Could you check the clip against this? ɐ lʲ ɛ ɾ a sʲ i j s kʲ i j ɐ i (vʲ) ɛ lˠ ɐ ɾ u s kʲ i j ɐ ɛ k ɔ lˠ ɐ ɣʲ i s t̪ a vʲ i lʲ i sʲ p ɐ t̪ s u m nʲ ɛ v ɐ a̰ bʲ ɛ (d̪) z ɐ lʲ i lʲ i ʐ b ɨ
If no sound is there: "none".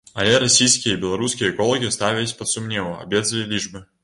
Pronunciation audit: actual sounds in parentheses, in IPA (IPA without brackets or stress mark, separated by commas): bʲ, d̪